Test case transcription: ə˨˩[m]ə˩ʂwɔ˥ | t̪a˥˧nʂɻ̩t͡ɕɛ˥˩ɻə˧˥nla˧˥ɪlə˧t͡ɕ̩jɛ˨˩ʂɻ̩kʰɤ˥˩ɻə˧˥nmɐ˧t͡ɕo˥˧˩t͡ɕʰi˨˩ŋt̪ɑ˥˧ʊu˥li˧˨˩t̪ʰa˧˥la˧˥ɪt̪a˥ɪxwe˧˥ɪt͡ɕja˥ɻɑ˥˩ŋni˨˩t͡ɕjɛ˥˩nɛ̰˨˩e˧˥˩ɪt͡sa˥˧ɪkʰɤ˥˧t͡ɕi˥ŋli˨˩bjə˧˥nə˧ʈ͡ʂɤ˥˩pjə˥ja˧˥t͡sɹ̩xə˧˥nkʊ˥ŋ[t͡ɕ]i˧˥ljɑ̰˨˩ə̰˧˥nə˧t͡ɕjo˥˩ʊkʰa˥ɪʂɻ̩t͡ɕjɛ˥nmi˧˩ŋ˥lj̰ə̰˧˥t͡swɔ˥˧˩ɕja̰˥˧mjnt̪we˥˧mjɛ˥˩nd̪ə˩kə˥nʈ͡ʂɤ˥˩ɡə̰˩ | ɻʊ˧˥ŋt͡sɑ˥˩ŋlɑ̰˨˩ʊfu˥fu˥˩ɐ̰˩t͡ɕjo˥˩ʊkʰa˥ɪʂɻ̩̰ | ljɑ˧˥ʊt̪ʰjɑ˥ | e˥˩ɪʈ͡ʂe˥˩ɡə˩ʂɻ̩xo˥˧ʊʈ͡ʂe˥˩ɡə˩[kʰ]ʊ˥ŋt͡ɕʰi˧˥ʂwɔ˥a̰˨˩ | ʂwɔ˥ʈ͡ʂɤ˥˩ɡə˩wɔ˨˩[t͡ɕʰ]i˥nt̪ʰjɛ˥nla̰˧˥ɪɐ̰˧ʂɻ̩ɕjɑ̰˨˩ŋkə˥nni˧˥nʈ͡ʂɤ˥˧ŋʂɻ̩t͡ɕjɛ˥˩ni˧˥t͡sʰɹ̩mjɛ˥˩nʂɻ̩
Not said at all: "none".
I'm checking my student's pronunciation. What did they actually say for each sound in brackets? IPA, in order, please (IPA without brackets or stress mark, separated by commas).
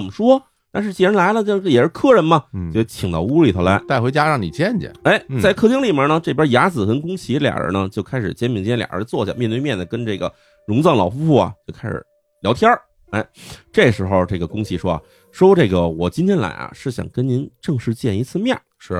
m, t͡ɕʰ, k, t͡ɕ